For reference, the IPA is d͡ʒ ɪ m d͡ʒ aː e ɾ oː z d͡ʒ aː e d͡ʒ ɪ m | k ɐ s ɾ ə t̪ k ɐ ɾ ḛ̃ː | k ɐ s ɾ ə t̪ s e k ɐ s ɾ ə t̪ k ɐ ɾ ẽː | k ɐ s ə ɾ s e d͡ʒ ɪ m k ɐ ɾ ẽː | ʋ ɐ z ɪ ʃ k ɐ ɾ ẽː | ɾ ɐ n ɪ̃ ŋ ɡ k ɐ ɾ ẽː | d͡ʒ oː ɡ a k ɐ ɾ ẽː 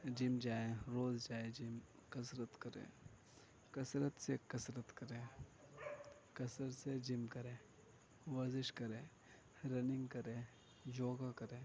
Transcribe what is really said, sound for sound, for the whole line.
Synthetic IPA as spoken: d͡ʒ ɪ m d͡ʒ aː e ɾ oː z d͡ʒ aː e d͡ʒ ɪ m | k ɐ s ɾ ə t̪ k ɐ ɾ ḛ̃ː | k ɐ s ɾ ə t̪ s e k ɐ s ɾ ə t̪ k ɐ ɾ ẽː | k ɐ s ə ɾ s e d͡ʒ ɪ m k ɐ ɾ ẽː | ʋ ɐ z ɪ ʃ k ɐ ɾ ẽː | ɾ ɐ n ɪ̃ ŋ ɡ k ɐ ɾ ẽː | d͡ʒ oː ɡ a k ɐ ɾ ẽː